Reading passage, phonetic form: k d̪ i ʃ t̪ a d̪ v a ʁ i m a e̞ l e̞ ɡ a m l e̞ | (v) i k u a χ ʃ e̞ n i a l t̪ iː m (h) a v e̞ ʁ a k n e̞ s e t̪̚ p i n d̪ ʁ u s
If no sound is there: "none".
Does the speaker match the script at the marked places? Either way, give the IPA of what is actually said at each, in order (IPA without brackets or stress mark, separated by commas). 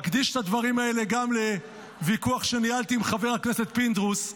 v, χ